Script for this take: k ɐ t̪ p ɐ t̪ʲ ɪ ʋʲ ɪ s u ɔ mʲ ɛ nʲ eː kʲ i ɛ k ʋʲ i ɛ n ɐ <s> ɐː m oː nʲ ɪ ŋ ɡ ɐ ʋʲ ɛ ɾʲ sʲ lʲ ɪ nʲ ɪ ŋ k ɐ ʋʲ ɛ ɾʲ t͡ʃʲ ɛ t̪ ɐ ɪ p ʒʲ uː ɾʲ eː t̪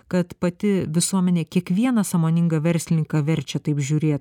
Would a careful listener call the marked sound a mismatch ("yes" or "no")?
no